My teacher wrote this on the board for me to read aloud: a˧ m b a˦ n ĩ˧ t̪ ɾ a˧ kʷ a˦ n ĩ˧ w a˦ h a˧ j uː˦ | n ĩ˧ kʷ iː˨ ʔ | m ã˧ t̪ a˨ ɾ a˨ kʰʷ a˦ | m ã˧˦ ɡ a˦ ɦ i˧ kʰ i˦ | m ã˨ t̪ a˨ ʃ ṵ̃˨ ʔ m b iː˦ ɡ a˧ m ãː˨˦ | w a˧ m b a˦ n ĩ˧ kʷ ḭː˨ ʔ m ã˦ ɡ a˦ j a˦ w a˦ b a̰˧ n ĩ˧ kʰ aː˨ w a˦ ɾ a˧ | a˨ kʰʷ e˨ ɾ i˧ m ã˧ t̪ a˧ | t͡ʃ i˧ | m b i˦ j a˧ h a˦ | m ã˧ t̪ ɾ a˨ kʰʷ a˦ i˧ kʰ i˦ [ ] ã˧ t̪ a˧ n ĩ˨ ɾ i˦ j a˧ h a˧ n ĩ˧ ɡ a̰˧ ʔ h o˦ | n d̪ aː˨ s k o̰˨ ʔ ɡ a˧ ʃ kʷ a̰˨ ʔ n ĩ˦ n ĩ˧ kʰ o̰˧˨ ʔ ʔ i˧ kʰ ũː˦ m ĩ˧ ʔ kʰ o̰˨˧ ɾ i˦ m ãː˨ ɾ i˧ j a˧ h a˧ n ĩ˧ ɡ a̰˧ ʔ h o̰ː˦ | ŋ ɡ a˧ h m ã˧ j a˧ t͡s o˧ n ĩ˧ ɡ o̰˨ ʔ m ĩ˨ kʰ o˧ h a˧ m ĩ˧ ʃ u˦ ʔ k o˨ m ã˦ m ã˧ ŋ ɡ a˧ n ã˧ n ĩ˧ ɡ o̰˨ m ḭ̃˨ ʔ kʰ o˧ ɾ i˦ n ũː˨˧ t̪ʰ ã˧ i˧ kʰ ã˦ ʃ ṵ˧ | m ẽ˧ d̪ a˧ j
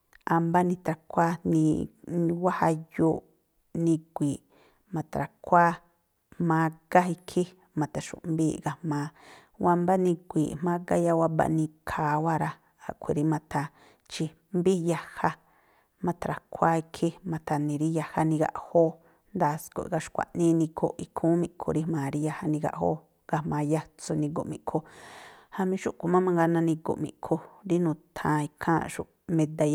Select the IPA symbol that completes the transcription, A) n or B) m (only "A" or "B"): B